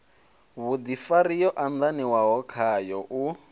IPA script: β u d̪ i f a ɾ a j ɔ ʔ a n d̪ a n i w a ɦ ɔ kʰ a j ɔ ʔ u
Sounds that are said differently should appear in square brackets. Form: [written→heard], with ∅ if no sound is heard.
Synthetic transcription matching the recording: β u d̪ i f a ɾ [a→i] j ɔ ʔ a n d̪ a n i w a ɦ ɔ kʰ a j ɔ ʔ u